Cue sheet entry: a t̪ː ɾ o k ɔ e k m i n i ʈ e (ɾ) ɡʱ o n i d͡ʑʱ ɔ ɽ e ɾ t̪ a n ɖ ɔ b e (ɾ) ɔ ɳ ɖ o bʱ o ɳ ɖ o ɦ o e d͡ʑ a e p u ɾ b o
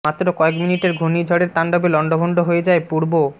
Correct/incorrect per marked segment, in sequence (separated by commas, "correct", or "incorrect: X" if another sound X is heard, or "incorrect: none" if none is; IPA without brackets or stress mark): correct, incorrect: l